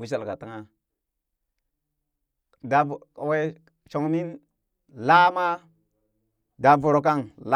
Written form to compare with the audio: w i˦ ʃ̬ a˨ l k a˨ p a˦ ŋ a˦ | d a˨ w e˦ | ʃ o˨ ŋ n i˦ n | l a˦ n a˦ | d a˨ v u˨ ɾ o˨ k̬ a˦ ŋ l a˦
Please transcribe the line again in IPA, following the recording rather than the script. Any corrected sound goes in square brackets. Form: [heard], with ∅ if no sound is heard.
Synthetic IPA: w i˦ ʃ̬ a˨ l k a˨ [t] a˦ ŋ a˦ | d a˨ w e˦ | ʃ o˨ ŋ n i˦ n | l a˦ [m] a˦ | d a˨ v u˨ ɾ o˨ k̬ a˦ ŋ l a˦